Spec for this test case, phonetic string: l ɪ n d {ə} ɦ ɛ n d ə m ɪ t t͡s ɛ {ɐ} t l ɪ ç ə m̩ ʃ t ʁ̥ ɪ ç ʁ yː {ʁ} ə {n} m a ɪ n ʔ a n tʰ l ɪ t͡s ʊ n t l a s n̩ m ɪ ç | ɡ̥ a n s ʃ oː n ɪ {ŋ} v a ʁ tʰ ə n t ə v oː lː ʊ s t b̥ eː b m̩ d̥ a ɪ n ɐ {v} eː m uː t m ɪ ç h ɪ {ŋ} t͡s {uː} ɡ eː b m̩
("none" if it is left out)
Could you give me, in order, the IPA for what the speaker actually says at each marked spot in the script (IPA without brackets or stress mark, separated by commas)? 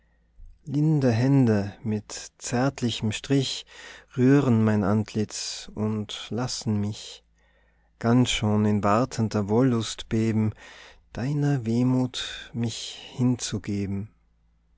ə, ɐ, ʁ, n, n, v, n, u